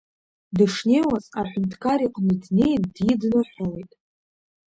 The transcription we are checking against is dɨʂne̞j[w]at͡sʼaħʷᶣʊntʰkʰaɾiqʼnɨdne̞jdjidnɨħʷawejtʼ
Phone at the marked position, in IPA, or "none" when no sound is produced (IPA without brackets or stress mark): w